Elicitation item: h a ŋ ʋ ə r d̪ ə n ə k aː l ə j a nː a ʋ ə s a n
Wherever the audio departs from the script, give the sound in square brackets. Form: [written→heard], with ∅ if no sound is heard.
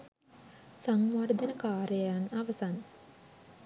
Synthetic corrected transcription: [h→s] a ŋ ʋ [ə→a] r d̪ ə n ə k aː [l→ɾ] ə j a [nː→n] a ʋ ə s a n